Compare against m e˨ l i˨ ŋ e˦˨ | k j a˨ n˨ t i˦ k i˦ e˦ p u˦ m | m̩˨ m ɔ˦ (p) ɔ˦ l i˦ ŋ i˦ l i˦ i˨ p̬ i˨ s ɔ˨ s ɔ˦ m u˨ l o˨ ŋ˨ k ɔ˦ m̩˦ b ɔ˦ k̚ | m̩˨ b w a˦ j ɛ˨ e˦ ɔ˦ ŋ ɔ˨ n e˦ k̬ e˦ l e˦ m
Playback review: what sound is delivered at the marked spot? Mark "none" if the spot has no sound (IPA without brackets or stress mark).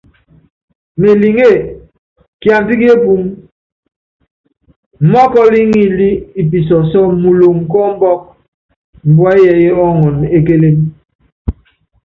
k